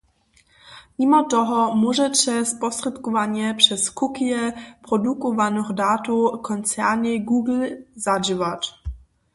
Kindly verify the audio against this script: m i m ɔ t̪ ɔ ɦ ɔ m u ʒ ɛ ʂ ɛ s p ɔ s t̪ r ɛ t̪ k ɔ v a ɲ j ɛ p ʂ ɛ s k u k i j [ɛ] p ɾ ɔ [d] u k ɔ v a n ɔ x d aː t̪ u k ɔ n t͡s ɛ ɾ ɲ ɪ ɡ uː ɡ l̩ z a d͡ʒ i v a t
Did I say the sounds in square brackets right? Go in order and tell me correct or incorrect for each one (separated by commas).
correct, correct